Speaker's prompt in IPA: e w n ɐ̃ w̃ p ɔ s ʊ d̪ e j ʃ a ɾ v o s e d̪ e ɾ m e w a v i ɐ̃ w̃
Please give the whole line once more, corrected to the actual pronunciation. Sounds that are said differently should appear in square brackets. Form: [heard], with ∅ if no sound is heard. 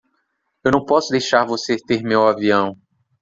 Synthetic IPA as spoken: e w n ɐ̃ w̃ p ɔ s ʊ d̪ e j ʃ a ɾ v o s e [t̪] e ɾ m e w a v i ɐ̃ w̃